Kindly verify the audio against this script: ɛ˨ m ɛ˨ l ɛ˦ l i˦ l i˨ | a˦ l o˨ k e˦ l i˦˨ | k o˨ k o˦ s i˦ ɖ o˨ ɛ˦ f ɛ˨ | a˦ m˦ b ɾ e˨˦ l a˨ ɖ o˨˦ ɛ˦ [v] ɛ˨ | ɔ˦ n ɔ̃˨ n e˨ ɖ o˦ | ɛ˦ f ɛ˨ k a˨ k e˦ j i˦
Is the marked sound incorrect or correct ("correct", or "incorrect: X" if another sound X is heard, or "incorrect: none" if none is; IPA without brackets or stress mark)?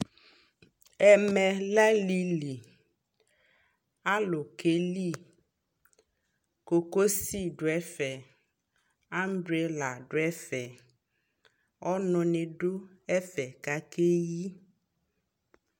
incorrect: f